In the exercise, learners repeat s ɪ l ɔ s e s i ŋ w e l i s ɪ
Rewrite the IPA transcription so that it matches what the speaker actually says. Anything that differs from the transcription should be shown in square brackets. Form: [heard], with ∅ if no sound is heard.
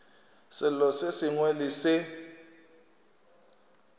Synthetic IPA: s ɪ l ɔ s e s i ŋ w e l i s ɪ